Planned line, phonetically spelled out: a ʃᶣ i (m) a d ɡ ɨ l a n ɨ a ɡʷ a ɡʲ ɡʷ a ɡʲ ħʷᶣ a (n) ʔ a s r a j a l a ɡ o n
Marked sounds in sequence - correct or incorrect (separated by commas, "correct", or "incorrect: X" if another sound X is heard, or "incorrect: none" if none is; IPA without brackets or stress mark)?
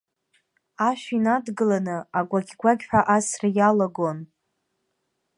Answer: incorrect: n, incorrect: none